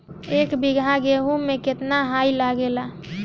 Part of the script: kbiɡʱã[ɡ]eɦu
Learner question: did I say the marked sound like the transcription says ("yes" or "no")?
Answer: yes